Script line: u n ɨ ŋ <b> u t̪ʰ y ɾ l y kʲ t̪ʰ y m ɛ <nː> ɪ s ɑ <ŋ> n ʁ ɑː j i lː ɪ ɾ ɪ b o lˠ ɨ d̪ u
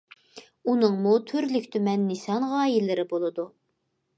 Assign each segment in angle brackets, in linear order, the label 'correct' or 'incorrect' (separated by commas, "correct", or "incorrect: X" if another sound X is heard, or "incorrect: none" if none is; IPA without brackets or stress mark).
incorrect: m, correct, incorrect: none